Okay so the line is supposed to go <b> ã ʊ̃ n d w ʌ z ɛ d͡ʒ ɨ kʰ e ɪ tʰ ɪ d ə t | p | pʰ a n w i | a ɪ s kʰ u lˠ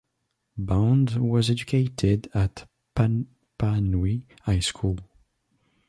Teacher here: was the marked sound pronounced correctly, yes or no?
yes